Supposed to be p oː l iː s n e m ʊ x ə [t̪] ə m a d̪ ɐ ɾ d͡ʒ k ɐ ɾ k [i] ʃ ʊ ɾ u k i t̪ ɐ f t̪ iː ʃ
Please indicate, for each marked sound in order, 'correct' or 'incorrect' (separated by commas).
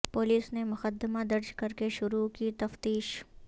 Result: incorrect, incorrect